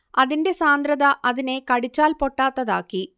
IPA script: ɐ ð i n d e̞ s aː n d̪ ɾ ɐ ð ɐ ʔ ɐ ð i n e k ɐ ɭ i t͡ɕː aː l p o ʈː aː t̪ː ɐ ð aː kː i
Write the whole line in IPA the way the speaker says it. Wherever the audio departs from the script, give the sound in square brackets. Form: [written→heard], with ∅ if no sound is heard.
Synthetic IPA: ɐ ð i n d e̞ s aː n d̪ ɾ ɐ ð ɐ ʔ ɐ ð i n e k ɐ [ɭ→ɽ] i t͡ɕː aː l p o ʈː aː t̪ː ɐ ð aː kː i